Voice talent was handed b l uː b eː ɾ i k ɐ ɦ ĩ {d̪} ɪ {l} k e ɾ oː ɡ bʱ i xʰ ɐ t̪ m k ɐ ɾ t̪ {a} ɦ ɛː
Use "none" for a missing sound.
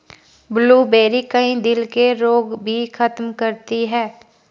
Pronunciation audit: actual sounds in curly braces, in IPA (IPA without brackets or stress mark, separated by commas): d̪, l, i